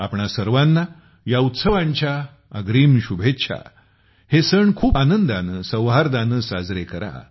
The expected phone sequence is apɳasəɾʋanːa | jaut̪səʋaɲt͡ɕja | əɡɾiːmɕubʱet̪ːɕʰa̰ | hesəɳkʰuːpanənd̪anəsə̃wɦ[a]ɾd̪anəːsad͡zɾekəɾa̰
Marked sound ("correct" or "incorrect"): correct